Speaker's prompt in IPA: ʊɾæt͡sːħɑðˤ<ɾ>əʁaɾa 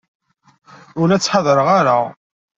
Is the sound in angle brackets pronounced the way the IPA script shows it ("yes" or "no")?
yes